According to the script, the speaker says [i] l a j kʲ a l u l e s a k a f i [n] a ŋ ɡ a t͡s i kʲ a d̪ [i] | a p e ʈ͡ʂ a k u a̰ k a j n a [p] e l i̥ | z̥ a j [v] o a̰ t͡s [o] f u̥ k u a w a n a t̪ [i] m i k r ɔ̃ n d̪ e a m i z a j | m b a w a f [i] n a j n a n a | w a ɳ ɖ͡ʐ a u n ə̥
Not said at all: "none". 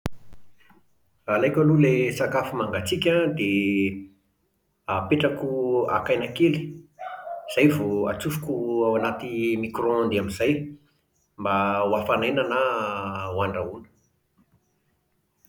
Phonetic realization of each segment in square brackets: a, m, e, k, v, u, i, a

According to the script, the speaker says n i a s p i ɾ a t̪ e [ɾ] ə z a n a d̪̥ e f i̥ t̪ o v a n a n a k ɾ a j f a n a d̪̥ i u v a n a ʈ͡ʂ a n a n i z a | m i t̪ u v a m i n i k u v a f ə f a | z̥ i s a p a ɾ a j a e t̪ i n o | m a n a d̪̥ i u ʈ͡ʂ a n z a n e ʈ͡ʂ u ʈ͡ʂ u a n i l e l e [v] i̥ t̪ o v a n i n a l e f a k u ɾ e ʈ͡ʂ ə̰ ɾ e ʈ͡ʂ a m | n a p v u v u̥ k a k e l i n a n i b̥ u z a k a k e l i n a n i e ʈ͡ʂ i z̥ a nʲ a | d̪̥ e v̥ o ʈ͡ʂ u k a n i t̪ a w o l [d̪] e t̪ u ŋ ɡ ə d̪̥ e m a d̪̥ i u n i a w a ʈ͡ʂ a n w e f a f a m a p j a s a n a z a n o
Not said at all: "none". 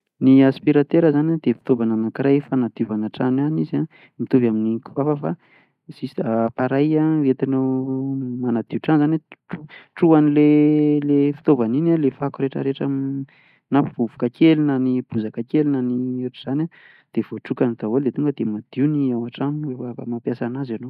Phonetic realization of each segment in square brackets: ɾ, f, d̪

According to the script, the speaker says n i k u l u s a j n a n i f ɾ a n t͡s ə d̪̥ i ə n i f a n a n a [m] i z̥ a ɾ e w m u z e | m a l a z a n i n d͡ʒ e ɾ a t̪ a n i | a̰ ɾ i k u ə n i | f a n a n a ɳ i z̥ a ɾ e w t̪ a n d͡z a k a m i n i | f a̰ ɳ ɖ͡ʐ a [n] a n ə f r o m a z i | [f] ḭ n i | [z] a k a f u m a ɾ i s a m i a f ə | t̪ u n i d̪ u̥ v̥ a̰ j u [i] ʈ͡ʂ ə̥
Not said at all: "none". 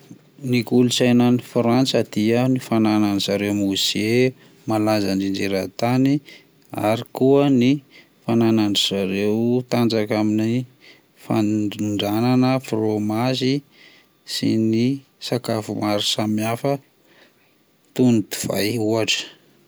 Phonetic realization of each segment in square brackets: n, n, s, s, a

